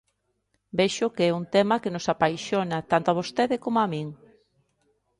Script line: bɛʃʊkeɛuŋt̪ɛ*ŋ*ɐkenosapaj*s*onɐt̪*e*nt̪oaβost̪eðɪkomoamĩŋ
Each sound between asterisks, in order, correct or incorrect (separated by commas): incorrect, incorrect, incorrect